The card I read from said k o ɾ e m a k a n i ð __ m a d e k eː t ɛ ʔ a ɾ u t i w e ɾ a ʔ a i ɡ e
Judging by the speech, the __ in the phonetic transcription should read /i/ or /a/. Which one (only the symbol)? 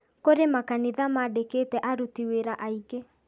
a